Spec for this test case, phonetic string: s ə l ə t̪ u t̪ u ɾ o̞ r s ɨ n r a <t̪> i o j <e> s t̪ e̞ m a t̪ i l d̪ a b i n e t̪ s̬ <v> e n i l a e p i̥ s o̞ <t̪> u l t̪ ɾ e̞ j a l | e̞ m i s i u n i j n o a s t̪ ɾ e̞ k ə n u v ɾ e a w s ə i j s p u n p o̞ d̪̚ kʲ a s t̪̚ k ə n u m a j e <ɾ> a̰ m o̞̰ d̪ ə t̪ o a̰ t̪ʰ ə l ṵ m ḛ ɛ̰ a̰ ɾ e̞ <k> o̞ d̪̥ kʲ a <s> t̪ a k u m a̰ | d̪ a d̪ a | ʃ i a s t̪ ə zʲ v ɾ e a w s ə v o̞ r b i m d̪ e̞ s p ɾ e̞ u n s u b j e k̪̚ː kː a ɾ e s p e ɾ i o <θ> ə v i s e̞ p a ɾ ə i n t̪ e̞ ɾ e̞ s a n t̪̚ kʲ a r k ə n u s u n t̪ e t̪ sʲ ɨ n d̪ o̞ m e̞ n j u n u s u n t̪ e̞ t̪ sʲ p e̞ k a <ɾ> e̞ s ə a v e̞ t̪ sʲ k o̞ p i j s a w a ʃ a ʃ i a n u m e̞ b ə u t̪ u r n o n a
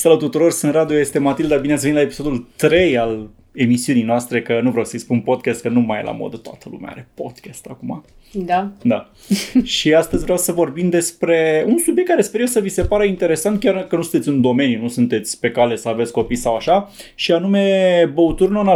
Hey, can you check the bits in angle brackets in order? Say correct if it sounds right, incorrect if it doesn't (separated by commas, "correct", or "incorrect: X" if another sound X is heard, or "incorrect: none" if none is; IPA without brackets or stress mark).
incorrect: d̪, correct, correct, incorrect: d̪, incorrect: l, incorrect: p, correct, incorrect: s, incorrect: l